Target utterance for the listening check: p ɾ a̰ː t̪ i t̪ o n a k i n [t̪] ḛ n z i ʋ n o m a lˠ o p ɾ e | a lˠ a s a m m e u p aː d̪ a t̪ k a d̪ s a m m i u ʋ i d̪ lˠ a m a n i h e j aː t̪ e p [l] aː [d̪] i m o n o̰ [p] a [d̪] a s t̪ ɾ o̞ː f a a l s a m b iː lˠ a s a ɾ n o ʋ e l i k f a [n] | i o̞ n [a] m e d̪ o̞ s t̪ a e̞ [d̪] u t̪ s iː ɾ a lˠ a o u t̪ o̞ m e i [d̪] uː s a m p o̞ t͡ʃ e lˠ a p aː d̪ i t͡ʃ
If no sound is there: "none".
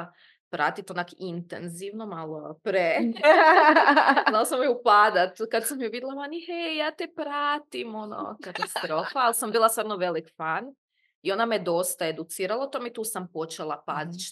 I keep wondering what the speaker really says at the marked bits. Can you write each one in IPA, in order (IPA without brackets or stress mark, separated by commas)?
t̪, ɾ, t̪, k, t̪, n, a, d̪, t̪